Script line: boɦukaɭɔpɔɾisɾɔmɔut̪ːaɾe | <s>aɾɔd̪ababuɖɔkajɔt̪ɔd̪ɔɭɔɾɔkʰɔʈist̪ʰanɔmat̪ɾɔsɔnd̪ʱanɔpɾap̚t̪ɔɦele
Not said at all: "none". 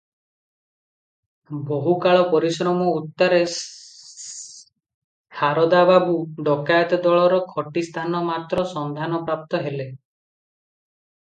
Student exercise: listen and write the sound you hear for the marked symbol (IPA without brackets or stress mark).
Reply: h